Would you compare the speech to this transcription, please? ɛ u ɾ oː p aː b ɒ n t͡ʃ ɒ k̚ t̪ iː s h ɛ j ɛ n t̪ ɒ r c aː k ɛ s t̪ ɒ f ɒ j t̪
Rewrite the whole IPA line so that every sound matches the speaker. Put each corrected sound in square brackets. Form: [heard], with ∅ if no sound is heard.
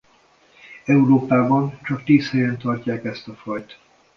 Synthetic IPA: ɛ u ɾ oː p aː b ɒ n t͡ʃ ɒ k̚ t̪ iː s h ɛ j ɛ n t̪ ɒ r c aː k ɛ s t̪ ɒ f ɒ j t̪